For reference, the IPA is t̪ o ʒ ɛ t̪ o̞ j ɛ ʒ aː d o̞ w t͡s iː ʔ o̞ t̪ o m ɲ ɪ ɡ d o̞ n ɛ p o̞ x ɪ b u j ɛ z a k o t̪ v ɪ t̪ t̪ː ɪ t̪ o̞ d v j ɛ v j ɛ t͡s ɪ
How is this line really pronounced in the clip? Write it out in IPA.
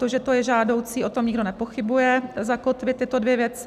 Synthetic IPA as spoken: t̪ o ʒ ɛ t̪ o̞ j ɛ ʒ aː d o̞ w t͡s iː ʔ o̞ t̪ o m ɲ ɪ ɡ d o̞ n ɛ p o̞ x ɪ b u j ɛ z a k o t̪ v ɪ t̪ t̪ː ɪ t̪ o̞ d v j ɛ v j ɛ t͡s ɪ